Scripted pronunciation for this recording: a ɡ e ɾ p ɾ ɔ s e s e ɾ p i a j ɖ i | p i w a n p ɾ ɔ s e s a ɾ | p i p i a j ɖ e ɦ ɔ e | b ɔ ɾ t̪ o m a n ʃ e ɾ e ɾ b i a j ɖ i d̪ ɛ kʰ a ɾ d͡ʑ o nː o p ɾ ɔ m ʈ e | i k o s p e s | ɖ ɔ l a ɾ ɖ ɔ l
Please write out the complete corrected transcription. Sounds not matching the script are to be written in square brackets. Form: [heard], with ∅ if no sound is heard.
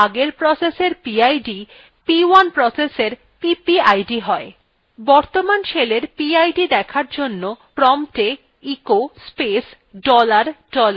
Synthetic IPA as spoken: a ɡ e ɾ p ɾ ɔ s e s e ɾ p i a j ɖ i | p i w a n p ɾ ɔ s e s [e] ɾ | p i p i a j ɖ [i] ɦ ɔ e | b ɔ ɾ t̪ o m a n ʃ e [l] e ɾ [p] i a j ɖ i d̪ ɛ kʰ a ɾ d͡ʑ o nː o p ɾ ɔ m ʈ e | i k o s p e s | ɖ ɔ l a ɾ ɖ ɔ l

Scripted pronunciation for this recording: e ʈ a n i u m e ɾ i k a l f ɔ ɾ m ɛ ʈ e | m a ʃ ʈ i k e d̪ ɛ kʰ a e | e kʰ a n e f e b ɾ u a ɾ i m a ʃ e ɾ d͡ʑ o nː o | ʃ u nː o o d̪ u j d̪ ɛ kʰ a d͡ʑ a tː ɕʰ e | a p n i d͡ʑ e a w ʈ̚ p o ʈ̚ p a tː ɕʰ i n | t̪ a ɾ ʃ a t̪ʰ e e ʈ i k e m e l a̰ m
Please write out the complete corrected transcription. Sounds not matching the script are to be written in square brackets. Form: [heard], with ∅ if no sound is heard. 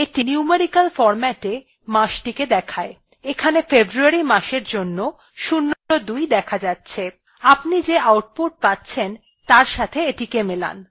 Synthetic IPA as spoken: e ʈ [i] n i u m e ɾ i k a l f ɔ ɾ m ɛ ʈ e | m a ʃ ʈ i k e d̪ ɛ kʰ a e | e kʰ a n e f e b ɾ u a ɾ i m a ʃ e ɾ d͡ʑ o nː o | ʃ u nː o o d̪ u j d̪ ɛ kʰ a d͡ʑ a tː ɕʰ e | a p n i d͡ʑ e a w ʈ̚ p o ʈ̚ p a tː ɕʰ [e] n | t̪ a ɾ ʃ a t̪ʰ e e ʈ i k e m e l a̰ [n]

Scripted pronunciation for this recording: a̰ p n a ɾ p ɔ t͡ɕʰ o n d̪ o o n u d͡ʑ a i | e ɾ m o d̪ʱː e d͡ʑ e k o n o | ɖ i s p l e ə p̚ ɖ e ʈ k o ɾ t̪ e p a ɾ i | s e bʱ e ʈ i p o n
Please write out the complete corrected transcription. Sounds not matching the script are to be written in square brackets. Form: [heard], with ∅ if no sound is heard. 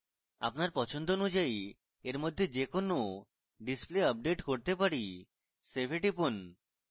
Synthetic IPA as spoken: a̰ p n a ɾ p ɔ t͡ɕʰ o n d̪ o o n u d͡ʑ a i | e ɾ m o d̪ʱː e d͡ʑ e k o n o | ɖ i s p l e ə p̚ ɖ e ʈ k o ɾ t̪ e p a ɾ i | s e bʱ e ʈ i p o n

